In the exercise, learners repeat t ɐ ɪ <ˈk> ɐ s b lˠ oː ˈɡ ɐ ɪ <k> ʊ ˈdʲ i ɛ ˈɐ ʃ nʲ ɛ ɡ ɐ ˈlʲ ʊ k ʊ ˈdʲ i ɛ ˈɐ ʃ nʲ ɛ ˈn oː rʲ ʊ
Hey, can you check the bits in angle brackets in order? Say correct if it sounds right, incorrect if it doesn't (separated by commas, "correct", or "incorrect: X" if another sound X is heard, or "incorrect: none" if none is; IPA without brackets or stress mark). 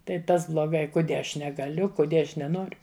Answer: incorrect: t, correct